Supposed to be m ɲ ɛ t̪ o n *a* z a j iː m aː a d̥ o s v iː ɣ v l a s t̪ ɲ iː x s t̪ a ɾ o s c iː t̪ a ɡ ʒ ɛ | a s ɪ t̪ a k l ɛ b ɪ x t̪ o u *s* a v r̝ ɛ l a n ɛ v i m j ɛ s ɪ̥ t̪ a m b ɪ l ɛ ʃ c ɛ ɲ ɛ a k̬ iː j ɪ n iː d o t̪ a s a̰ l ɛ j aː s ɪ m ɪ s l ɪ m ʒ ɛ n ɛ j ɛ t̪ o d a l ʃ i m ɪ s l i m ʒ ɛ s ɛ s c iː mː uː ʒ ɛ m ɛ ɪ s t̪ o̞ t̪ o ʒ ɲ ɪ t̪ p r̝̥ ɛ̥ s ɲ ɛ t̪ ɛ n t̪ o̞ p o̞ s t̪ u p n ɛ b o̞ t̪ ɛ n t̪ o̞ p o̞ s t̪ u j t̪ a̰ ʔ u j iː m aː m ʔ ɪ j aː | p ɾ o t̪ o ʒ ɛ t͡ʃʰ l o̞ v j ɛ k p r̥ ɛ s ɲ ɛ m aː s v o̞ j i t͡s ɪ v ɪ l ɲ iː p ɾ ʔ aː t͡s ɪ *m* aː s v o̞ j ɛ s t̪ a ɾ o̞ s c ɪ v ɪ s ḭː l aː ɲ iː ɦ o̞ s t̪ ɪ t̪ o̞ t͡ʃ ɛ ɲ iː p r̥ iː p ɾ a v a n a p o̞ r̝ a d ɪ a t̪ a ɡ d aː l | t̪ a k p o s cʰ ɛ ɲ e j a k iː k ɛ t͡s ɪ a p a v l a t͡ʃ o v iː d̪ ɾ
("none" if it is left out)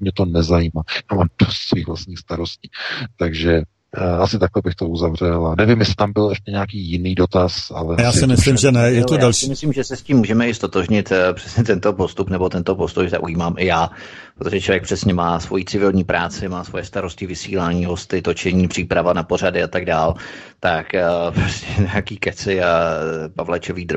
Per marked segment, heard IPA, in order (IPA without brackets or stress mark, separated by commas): ɛ, z, m